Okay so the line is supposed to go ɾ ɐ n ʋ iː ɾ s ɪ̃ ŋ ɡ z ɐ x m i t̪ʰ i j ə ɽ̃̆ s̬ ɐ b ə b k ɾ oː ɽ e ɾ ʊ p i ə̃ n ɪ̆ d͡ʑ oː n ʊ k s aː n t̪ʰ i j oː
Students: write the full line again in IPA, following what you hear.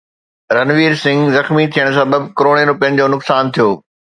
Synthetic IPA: ɾ ɐ n ʋ iː ɾ s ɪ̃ ŋ ɡ z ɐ x m i t̪ʰ i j ə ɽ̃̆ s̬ ɐ b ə b k ɾ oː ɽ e ɾ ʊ p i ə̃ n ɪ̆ d͡ʑ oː n ʊ k s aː n t̪ʰ i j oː